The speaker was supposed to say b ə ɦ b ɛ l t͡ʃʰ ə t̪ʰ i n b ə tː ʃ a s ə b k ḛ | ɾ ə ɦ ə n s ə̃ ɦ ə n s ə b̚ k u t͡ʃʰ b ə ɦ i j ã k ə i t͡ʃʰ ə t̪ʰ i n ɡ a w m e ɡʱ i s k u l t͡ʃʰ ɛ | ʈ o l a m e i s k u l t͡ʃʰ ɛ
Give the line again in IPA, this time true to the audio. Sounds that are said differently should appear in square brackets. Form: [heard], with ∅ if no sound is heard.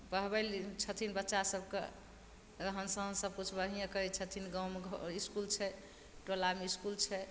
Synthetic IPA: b ə ɦ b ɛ l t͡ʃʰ ə t̪ʰ i n b ə tː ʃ a s ə b k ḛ | ɾ ə ɦ ə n s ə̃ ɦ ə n s ə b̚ k u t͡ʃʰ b ə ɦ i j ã k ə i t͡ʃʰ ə t̪ʰ i n ɡ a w m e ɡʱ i s k u l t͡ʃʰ ɛ | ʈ o l a m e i s k u l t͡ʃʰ ɛ